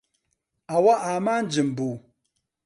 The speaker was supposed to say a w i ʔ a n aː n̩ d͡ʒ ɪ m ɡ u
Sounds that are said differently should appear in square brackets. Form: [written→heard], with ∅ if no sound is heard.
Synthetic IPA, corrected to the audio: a w [i→a] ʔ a [n→m] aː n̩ d͡ʒ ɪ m [ɡ→b] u